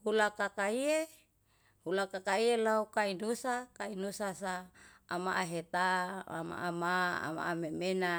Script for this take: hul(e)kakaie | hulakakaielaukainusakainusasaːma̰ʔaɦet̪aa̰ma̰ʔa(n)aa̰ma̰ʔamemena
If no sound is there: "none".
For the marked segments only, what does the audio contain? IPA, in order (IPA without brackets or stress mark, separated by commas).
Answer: a, m